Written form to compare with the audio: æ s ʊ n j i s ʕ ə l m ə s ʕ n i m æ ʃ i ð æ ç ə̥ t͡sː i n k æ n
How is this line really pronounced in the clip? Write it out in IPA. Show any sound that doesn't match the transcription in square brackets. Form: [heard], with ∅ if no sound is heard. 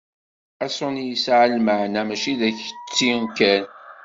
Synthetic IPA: æ s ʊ n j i s ʕ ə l m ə [∅] ʕ n [æ] m æ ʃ i ð æ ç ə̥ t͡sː i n k æ n